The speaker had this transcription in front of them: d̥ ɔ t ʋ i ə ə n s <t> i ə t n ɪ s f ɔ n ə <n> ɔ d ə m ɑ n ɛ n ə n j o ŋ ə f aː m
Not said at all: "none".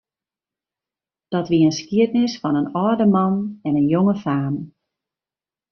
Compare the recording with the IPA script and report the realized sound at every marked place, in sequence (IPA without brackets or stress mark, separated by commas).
k, n